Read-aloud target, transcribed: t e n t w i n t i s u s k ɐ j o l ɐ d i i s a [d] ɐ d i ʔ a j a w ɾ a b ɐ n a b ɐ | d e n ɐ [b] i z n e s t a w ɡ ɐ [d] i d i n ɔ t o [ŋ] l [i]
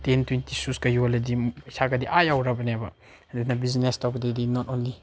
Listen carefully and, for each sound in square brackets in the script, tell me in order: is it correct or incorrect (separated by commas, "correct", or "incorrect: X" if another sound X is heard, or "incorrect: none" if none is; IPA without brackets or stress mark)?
incorrect: ɡ, correct, correct, incorrect: n, correct